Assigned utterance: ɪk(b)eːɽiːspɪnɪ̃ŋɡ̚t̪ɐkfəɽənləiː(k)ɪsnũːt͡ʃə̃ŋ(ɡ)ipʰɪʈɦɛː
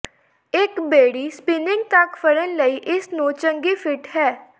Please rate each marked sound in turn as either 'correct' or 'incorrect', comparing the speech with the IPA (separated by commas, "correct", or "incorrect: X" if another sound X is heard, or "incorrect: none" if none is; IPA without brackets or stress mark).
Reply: correct, incorrect: ʔ, correct